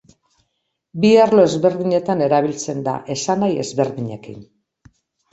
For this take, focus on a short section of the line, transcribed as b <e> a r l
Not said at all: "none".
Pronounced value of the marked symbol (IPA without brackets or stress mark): i